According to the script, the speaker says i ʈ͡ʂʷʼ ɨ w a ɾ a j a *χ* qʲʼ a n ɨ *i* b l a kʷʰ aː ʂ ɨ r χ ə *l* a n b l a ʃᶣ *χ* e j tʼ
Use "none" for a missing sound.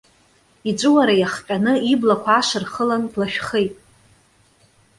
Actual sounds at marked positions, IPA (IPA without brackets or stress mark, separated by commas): χ, i, l, χ